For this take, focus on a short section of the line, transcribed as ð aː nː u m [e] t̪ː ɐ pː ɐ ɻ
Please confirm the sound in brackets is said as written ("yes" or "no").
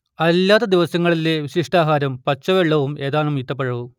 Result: no